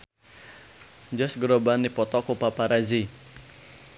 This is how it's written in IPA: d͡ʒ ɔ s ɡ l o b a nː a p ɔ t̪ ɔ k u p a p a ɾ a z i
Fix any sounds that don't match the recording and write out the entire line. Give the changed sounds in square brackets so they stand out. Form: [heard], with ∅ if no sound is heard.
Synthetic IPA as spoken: d͡ʒ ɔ s ɡ [ɾ] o b a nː [i] p ɔ t̪ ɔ k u p a p a ɾ a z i